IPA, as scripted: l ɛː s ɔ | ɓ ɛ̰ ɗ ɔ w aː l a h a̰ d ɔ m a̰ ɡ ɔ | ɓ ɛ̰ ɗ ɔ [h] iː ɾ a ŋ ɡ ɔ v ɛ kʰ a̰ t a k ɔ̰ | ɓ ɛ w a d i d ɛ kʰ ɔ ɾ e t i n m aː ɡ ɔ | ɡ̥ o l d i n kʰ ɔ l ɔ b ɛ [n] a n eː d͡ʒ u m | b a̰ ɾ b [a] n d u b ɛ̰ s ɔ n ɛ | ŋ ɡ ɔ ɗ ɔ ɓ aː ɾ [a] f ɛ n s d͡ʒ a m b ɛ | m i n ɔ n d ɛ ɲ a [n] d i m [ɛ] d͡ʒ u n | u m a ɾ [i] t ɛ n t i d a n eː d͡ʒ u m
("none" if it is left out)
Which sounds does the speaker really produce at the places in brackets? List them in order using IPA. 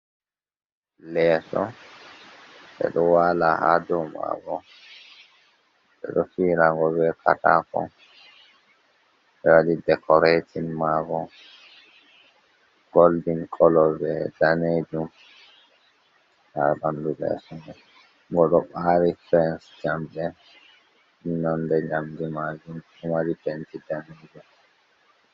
f, d, a, i, m, a, i

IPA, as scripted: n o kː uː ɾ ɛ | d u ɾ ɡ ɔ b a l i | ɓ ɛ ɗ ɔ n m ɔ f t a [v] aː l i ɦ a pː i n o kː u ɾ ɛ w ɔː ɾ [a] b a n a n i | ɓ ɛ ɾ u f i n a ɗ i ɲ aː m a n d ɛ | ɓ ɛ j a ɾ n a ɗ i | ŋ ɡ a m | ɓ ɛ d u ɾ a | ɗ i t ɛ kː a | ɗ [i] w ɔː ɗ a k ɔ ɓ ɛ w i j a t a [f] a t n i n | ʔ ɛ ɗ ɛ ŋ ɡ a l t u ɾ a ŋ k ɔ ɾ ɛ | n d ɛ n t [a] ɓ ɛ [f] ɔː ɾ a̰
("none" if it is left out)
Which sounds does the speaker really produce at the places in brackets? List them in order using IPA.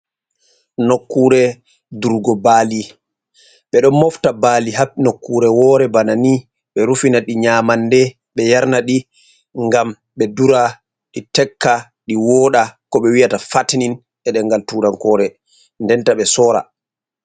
b, ɛ, i, f, a, s

